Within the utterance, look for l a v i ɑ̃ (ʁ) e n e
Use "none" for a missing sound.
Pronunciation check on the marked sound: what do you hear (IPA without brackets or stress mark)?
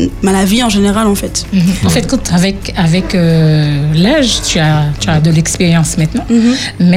ʒ